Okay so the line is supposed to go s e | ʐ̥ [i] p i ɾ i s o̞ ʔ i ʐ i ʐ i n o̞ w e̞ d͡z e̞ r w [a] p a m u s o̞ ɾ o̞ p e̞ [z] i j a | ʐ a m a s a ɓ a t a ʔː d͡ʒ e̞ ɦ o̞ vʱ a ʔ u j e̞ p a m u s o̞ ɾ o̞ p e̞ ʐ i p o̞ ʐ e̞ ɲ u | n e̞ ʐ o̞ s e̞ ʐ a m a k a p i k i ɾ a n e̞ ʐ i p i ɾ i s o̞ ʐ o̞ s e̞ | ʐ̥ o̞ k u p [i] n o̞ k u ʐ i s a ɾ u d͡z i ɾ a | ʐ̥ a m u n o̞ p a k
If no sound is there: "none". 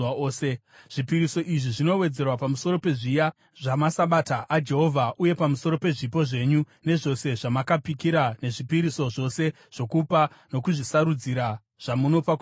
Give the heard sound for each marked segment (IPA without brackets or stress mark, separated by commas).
i, a, ʐ, a